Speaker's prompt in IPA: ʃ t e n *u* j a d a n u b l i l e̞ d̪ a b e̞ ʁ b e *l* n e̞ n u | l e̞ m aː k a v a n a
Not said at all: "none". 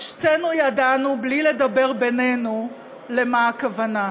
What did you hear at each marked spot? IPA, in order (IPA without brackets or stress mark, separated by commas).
u, none